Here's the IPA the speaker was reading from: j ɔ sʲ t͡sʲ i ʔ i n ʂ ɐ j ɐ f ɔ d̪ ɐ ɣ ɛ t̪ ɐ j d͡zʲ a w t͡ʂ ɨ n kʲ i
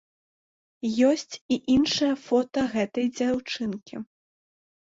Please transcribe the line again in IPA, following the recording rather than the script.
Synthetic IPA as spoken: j ɔ sʲ t͡sʲ i ʔ i n ʂ ɐ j ɐ f ɔ t̪ ɐ ɣ ɛ t̪ ɐ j d͡zʲ a w t͡ʂ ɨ n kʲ i